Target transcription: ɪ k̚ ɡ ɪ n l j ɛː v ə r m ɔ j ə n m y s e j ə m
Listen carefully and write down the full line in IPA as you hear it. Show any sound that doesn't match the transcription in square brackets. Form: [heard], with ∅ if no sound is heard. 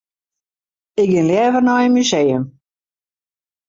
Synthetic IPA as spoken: ɪ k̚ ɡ ɪ n l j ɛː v ə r [n] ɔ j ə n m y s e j ə m